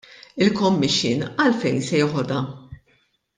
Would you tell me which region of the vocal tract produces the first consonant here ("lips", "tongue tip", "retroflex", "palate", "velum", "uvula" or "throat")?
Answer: tongue tip